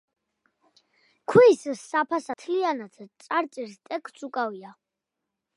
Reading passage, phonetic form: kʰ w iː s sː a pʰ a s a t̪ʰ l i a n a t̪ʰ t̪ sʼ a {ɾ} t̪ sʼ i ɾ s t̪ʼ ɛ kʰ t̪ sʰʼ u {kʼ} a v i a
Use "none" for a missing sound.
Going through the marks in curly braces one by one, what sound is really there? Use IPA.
ɾ, kʼ

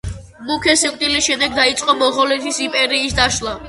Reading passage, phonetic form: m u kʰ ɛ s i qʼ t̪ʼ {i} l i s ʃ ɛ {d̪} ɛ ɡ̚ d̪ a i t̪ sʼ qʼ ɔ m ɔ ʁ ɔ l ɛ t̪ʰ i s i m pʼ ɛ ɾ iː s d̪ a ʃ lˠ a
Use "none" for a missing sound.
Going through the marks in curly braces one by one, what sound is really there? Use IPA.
i, d̪

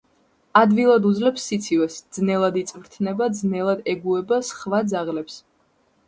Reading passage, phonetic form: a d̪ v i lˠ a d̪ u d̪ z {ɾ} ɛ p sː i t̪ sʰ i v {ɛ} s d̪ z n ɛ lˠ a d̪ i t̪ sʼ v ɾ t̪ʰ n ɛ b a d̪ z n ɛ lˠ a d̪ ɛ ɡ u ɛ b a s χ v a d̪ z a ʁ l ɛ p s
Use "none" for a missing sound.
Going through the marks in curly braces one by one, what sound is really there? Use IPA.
l, ɛ

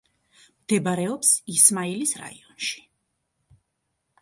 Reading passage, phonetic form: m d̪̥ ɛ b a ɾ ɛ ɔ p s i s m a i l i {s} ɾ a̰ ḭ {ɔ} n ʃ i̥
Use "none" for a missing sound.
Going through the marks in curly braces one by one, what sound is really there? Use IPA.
s, ɔ

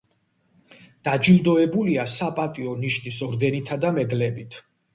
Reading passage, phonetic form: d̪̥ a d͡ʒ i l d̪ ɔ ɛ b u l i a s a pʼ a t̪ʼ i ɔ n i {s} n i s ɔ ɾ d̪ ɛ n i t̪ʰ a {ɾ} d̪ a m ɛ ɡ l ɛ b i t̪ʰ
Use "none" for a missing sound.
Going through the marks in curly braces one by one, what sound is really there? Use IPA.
ʃ, none

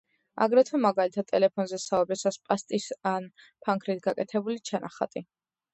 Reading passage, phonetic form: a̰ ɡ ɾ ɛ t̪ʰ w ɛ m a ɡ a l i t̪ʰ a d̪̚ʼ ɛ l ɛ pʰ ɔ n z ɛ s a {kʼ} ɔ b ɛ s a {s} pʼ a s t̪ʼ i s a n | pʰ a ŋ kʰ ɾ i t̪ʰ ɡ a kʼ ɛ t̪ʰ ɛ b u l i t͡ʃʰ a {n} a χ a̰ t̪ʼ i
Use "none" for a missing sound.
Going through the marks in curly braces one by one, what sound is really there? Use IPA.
none, s, n

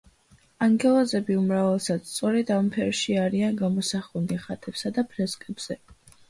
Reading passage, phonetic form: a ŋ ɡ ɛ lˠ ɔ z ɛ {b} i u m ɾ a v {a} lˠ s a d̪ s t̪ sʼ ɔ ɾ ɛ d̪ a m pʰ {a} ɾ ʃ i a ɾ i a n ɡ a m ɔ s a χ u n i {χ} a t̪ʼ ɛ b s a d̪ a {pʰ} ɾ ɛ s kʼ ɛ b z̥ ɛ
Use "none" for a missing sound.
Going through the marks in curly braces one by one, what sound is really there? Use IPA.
b, ɛ, ɛ, χ, pʰ

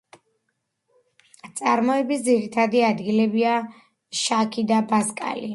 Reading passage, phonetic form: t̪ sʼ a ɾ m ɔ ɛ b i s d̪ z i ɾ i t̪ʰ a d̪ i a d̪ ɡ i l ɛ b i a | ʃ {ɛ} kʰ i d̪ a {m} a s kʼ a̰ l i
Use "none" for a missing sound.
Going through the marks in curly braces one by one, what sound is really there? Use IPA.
a, b

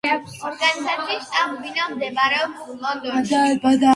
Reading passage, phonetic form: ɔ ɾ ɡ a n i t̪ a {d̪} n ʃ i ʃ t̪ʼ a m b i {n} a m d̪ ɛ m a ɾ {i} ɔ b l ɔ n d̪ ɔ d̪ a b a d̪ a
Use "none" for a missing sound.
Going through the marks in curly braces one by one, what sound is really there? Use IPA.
none, n, ɛ

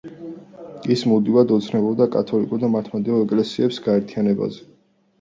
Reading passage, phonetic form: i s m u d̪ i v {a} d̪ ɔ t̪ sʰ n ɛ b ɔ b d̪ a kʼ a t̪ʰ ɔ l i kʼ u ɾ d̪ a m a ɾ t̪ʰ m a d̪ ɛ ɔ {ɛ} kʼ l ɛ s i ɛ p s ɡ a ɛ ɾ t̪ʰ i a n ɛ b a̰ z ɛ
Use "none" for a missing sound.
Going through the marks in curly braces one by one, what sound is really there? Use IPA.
a, ɛ

